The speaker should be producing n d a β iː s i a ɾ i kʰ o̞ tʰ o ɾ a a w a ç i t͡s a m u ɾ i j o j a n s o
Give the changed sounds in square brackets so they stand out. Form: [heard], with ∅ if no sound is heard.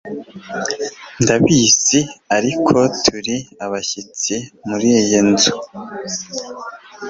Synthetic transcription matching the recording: n d a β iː s i a ɾ i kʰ o̞ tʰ [u] ɾ [i] a [β] a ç i t͡s [i] m u ɾ i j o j [e] n [z] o